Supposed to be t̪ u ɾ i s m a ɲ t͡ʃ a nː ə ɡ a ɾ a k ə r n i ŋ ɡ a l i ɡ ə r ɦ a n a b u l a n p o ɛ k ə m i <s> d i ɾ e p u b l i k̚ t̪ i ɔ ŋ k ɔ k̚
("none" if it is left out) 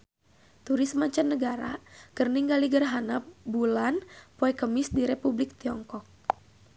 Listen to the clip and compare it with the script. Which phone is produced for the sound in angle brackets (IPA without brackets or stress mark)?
s